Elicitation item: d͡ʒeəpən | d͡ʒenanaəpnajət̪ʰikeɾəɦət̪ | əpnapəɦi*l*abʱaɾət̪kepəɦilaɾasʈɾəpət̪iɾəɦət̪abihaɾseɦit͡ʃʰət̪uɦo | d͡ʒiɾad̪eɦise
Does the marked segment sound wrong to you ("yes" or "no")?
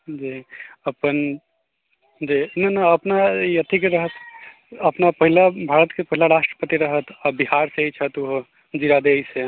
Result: no